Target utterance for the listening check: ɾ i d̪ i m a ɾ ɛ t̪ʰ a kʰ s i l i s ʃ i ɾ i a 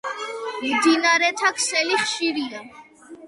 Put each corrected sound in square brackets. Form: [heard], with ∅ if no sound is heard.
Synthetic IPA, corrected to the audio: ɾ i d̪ i [n] a ɾ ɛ t̪ʰ a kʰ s [ɛ] l i [χ] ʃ i ɾ i a